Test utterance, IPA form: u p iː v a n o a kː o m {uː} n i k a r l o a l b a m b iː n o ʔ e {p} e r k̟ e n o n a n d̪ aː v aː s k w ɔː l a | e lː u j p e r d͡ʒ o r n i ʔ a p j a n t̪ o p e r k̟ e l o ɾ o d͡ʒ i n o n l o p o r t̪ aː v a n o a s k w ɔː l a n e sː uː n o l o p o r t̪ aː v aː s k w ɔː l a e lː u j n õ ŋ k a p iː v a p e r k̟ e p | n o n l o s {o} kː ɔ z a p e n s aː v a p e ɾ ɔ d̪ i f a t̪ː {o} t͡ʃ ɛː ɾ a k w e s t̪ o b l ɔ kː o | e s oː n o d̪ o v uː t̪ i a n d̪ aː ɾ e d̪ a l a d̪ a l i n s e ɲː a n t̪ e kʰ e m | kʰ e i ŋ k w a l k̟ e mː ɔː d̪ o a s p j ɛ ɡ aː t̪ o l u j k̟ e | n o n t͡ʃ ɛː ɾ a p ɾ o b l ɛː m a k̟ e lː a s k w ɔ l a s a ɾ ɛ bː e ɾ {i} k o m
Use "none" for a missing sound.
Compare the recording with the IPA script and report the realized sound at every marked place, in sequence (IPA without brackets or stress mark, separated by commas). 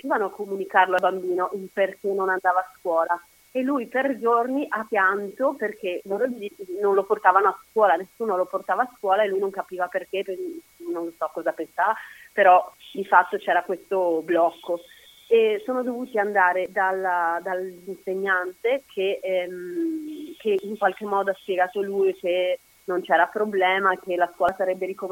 u, p, ɔ, o, i